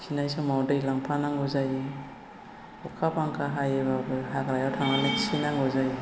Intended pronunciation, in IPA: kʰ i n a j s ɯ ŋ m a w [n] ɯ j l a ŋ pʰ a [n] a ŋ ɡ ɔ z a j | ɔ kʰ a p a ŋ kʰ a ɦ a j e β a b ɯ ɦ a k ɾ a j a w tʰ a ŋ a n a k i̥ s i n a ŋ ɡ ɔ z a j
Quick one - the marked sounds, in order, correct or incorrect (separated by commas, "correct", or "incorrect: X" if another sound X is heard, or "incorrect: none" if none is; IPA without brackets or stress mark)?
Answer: incorrect: d, correct